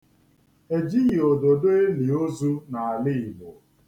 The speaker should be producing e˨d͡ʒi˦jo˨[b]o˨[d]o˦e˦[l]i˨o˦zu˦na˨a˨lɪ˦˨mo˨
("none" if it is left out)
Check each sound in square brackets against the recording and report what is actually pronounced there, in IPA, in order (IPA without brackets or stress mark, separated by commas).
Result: d, d, l